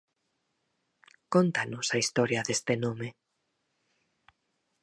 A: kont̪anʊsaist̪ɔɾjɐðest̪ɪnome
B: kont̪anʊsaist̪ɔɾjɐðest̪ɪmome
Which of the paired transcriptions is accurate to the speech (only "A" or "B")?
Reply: A